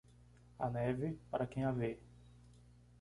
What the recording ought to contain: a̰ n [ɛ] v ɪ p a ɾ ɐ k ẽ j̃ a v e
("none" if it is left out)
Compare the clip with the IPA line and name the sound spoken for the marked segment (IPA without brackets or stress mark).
ɛ